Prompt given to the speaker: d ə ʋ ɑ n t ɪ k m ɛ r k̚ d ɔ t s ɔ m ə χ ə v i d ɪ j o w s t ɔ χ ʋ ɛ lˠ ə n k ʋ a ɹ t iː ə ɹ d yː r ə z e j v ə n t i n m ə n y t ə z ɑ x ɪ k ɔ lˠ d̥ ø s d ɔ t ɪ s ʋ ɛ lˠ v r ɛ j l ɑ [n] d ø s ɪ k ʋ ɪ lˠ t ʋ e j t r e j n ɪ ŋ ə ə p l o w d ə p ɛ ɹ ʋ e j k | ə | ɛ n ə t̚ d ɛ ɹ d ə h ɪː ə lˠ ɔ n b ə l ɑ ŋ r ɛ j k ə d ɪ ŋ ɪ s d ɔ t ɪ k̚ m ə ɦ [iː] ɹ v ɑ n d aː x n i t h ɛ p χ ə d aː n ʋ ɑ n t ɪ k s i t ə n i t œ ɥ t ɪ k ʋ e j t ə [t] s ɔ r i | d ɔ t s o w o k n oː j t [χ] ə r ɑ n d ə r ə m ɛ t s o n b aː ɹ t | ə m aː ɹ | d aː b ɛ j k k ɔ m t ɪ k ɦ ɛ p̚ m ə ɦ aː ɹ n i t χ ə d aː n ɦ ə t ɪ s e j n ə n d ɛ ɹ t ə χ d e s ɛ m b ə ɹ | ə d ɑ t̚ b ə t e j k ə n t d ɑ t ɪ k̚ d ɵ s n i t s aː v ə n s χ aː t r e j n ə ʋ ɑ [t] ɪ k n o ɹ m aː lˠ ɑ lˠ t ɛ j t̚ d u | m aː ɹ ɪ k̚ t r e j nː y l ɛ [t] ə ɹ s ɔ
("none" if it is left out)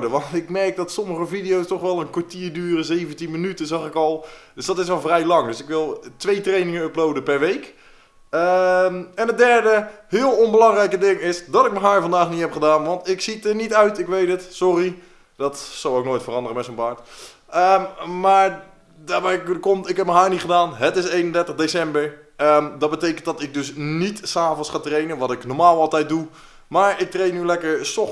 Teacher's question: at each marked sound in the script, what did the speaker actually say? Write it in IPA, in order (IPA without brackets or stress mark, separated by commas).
ŋ, aː, t, f, t, k